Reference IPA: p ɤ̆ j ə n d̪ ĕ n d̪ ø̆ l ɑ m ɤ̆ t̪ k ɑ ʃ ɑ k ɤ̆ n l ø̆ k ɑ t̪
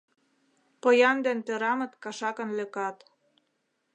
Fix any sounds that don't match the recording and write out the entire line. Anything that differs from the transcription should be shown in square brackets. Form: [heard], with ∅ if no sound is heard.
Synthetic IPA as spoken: p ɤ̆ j [ɑ] n d̪ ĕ n [t̪] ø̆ [ɾ] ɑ m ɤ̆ t̪ k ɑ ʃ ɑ k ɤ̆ n l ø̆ k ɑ t̪